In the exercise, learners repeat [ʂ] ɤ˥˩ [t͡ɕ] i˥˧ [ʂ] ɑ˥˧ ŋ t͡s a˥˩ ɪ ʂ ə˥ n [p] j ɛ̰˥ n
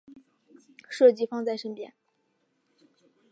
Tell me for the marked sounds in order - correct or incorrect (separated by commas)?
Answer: correct, correct, incorrect, correct